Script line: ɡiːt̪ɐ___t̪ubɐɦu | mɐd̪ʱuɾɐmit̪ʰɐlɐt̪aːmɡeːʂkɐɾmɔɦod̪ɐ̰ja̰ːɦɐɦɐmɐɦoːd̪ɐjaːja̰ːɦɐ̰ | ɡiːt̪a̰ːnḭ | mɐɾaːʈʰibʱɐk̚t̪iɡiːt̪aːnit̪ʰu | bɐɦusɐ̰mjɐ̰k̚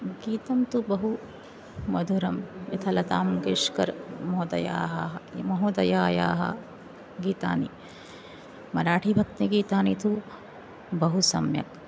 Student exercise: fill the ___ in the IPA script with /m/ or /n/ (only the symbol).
m